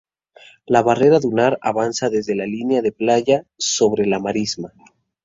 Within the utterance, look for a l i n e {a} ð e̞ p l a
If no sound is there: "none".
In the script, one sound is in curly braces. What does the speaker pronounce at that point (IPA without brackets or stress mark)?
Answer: a